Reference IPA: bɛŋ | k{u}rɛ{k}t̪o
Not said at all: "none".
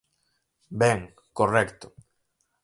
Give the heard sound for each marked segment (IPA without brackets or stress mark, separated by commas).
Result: o, k